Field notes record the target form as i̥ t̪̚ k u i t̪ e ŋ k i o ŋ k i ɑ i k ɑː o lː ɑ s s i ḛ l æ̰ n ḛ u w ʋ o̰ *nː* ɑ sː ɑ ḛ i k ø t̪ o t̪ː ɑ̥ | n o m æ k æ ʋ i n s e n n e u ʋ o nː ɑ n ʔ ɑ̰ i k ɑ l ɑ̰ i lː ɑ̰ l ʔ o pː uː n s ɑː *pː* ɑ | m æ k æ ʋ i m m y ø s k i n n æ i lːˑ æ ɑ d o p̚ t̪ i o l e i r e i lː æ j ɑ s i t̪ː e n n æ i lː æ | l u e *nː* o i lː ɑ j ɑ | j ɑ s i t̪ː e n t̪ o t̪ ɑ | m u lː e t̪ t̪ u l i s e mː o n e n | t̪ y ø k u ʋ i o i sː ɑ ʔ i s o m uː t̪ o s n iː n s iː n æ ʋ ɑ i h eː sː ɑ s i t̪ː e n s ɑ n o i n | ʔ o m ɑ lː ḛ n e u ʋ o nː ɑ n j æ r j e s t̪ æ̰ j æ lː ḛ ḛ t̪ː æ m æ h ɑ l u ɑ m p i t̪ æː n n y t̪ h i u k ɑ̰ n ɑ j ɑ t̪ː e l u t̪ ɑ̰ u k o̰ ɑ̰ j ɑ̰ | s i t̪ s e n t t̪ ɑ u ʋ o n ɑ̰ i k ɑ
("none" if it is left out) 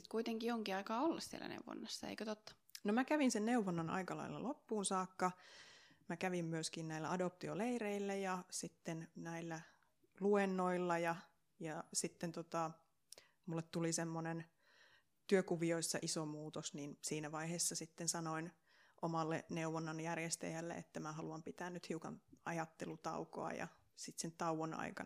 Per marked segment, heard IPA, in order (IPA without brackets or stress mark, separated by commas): nː, kː, nː